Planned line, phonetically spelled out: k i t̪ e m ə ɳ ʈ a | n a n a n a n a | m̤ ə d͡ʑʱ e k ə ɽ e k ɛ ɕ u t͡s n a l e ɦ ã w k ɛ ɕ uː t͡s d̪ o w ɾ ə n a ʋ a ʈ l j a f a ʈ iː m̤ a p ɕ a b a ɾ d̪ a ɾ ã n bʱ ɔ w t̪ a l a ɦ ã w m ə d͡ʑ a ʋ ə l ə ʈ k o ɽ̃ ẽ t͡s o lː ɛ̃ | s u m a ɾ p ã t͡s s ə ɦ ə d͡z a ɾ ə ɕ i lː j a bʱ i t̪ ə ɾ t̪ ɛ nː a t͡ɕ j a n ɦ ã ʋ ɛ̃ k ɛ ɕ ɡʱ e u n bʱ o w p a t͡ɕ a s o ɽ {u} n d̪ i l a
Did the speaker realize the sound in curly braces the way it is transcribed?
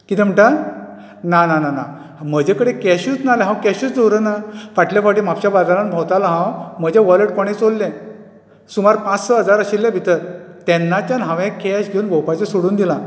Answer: no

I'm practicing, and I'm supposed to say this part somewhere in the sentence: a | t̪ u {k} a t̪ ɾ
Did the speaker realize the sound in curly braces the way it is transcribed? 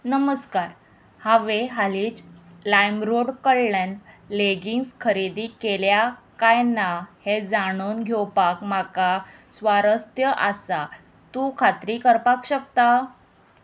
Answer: no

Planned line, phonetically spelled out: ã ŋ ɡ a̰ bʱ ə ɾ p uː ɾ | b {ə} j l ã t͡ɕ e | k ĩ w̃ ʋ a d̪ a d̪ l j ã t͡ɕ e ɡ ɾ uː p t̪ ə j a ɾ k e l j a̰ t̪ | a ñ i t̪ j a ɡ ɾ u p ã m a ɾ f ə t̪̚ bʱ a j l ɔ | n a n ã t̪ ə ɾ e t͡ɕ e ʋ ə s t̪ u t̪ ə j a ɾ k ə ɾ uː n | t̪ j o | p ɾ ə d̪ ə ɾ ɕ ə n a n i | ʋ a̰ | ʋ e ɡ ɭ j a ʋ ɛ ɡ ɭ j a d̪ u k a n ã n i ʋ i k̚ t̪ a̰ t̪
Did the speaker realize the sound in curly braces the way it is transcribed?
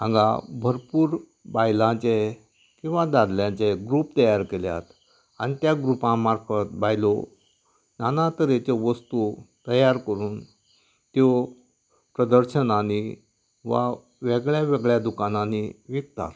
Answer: no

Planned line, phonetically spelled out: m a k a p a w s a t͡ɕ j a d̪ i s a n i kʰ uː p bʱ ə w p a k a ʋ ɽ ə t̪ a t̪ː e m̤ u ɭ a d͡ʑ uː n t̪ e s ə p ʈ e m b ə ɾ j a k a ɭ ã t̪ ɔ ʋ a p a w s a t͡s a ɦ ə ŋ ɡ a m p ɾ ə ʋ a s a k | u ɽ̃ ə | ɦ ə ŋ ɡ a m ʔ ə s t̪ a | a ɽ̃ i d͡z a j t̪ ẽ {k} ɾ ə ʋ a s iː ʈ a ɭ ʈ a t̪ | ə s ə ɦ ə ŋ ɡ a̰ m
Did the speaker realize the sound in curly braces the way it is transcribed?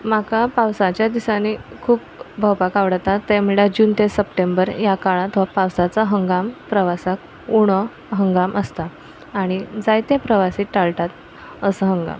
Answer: no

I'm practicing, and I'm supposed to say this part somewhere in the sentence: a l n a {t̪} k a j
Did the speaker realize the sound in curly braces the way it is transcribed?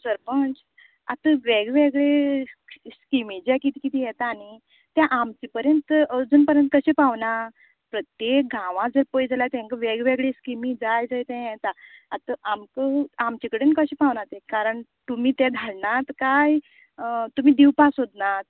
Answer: yes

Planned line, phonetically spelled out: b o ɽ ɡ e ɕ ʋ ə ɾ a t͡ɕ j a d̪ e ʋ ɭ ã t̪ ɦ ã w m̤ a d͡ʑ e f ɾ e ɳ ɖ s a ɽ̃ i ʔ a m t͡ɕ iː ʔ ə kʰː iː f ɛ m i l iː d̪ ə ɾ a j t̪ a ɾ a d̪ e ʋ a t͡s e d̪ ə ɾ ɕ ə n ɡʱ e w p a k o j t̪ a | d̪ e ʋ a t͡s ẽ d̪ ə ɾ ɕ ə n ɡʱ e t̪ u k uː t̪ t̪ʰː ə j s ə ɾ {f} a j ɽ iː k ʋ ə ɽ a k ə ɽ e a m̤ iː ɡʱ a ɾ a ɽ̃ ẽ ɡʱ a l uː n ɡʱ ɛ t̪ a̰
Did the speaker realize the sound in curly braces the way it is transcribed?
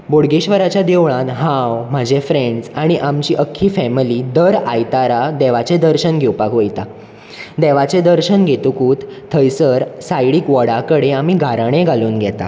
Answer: no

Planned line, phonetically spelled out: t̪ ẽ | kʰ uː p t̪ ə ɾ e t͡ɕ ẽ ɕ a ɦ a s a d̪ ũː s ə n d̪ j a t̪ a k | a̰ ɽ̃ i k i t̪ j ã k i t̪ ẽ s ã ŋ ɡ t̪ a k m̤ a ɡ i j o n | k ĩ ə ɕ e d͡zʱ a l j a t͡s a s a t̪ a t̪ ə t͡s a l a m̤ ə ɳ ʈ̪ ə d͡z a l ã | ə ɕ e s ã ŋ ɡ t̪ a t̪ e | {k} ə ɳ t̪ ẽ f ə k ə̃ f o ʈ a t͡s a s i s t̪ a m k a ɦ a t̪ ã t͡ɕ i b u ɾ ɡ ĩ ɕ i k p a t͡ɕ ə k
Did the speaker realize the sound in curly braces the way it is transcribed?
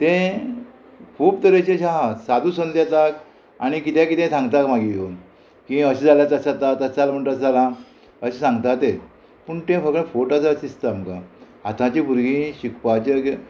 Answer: no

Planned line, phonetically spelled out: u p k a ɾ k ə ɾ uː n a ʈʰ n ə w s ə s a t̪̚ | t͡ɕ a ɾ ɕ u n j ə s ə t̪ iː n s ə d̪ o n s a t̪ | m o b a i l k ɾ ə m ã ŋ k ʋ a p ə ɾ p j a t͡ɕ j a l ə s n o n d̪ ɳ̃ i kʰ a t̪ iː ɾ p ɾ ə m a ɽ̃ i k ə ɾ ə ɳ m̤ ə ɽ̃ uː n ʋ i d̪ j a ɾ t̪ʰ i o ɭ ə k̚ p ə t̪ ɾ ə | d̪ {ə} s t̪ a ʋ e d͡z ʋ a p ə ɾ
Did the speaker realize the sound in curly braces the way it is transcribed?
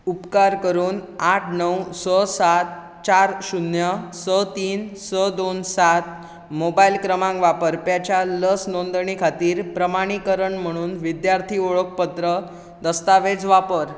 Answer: yes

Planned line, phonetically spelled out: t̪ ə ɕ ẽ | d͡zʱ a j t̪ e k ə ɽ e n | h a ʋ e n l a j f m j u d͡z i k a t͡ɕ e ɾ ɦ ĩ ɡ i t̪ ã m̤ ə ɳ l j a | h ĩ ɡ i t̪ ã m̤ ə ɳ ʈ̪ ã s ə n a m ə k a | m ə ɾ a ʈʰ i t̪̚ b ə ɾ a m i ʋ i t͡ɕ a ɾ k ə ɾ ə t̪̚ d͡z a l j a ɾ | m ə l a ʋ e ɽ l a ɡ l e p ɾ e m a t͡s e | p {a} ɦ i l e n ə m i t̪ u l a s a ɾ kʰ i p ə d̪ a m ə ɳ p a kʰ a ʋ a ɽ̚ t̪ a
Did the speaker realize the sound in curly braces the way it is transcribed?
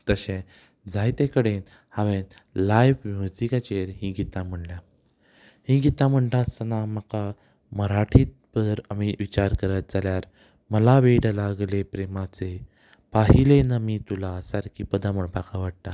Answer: yes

